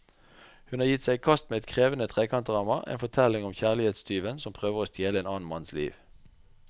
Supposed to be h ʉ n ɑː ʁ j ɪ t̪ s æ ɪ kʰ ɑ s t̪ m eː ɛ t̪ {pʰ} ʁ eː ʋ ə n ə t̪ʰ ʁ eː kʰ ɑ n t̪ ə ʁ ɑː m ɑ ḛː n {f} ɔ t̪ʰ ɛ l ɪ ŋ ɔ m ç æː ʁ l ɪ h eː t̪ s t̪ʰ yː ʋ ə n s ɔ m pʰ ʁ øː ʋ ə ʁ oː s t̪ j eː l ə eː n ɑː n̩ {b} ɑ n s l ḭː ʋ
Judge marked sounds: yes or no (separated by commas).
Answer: no, yes, no